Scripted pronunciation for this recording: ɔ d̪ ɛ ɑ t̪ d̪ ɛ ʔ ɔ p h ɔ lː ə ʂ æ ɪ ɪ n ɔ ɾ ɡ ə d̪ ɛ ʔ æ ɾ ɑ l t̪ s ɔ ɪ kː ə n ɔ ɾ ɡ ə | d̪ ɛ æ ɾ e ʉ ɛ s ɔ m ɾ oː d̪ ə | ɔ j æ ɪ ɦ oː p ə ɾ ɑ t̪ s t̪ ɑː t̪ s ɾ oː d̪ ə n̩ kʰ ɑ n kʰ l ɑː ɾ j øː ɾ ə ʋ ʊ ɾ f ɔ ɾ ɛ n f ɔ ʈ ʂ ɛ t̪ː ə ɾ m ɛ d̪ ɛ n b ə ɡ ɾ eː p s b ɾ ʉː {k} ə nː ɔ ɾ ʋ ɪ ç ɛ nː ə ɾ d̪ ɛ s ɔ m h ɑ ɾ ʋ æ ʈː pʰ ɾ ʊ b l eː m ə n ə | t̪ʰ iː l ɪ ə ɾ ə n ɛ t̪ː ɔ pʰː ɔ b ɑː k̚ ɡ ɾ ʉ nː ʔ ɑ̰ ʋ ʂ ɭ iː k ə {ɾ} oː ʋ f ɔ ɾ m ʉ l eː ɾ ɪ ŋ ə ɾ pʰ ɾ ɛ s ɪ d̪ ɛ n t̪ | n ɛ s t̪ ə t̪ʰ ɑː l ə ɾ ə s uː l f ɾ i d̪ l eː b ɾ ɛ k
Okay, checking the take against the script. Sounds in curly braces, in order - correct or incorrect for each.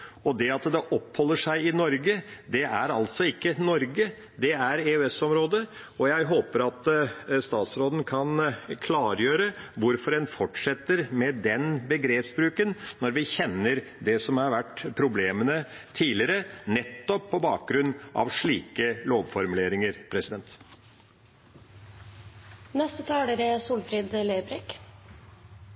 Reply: correct, incorrect

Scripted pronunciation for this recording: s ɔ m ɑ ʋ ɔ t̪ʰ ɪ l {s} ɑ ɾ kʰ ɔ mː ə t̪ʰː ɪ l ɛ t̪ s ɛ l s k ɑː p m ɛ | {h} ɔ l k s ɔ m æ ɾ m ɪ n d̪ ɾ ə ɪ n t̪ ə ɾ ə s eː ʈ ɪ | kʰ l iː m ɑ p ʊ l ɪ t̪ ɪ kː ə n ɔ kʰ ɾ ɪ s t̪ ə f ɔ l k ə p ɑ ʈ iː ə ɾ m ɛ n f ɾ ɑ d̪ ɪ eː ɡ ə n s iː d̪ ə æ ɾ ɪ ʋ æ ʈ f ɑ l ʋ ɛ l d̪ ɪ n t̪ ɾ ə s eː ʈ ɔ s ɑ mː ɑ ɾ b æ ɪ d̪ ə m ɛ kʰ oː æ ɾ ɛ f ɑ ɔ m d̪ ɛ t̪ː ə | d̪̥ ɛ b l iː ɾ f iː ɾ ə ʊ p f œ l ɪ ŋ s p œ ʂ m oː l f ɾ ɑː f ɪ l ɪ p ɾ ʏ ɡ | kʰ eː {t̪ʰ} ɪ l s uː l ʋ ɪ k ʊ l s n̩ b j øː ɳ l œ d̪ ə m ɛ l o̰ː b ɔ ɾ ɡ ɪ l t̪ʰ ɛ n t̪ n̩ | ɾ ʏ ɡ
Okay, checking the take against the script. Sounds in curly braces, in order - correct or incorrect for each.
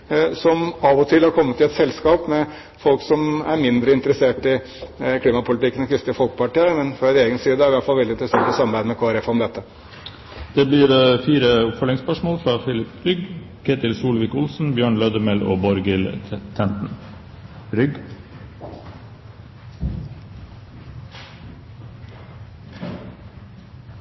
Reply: incorrect, incorrect, incorrect

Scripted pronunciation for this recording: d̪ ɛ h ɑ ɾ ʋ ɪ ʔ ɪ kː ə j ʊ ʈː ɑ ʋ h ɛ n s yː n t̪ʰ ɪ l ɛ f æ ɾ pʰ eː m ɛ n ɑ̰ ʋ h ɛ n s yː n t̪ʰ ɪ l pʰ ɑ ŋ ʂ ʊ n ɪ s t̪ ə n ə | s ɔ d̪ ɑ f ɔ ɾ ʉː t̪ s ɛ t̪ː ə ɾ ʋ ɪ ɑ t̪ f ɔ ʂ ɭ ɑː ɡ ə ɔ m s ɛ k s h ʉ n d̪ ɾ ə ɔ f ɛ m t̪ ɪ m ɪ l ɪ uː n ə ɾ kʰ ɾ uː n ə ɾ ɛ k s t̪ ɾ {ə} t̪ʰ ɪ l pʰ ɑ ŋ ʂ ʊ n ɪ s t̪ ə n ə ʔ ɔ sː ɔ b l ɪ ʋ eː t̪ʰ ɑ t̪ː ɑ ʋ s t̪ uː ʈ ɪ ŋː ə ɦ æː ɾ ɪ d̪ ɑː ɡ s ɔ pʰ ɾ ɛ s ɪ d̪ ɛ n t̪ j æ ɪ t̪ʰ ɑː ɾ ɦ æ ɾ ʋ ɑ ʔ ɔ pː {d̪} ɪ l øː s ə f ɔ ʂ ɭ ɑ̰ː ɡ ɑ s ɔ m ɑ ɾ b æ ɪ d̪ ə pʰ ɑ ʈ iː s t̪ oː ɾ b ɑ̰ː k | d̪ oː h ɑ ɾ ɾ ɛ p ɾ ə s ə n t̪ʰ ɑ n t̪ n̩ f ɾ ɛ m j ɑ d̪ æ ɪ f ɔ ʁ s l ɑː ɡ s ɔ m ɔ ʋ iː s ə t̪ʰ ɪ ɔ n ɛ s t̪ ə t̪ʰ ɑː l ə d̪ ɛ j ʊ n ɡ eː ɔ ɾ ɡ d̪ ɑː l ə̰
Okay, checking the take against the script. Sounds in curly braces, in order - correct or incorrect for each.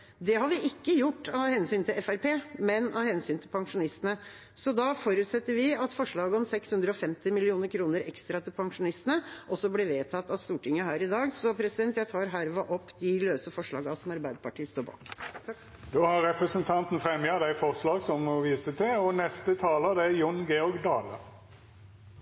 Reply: incorrect, correct

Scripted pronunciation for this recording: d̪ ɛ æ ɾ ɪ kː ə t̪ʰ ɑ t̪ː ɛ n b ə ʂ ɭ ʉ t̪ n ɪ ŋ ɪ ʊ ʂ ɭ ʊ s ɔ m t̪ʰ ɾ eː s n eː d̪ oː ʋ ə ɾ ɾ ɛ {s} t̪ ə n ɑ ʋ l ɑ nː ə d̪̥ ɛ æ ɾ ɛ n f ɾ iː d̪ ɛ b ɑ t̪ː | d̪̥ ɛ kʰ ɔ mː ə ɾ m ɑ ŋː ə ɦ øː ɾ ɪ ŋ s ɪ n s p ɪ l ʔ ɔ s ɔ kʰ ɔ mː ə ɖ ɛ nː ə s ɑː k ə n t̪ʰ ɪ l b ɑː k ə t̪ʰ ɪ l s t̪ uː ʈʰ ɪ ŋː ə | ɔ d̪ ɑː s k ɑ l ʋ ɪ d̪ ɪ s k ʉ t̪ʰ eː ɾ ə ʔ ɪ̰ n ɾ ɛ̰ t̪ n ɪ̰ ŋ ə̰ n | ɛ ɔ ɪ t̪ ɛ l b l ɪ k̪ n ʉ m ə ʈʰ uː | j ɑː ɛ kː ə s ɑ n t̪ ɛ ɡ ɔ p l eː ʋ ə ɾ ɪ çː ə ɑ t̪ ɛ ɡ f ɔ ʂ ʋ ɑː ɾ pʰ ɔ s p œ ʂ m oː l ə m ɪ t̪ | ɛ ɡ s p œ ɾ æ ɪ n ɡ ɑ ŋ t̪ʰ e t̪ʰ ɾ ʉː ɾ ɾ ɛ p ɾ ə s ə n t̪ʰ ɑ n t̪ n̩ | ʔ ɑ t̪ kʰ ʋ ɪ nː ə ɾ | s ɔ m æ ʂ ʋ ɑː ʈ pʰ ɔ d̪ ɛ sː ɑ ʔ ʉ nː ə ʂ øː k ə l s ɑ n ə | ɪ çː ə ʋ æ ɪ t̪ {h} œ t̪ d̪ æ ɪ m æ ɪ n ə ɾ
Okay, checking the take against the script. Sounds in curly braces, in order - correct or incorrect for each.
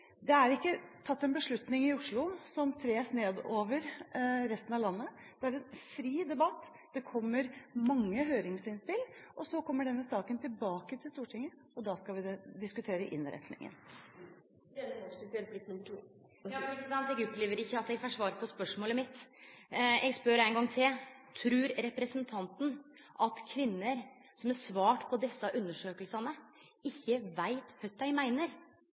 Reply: correct, correct

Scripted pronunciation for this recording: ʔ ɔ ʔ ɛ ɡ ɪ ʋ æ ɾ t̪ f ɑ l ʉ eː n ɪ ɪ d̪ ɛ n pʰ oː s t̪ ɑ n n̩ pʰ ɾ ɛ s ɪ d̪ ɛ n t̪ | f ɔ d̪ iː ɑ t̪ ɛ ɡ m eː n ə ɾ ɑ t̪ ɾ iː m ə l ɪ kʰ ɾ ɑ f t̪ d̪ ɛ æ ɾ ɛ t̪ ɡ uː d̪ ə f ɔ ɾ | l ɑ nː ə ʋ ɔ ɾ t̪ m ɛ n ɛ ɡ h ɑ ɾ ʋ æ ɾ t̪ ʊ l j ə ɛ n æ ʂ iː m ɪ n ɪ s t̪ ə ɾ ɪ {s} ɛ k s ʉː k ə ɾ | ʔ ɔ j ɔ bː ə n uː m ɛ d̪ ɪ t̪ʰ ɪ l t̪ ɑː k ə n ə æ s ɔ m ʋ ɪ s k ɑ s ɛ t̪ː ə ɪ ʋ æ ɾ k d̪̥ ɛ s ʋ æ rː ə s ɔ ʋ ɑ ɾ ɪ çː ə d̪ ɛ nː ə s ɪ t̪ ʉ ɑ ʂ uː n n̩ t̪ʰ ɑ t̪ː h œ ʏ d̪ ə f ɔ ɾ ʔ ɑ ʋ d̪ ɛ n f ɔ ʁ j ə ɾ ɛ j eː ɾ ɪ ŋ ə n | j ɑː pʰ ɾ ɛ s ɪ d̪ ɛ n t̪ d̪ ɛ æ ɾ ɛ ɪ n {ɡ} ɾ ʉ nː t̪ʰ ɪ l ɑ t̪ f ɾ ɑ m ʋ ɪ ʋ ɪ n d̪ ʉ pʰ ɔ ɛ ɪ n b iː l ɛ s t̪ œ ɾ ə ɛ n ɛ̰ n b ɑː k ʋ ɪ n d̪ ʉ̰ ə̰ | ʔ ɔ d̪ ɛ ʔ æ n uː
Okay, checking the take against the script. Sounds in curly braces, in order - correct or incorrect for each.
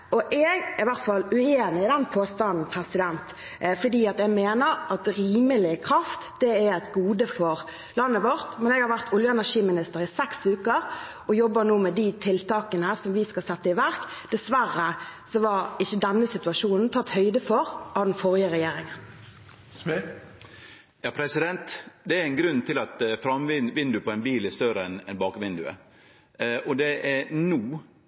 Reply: correct, correct

